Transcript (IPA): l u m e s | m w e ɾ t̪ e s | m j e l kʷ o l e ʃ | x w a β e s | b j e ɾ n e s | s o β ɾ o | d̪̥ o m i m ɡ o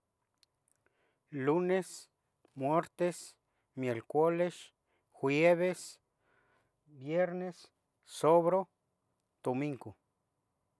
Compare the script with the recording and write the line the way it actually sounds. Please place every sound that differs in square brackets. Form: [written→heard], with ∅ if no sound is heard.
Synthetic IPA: l u [m→n] e s | m w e ɾ t̪ e s | m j e l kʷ o l e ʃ | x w [a→e] β e s | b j e ɾ n e s | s o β ɾ o | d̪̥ o m i [m→ŋ] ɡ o